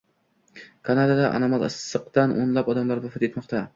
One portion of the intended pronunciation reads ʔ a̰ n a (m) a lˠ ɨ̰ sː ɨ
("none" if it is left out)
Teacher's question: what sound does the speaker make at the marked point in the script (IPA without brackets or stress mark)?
m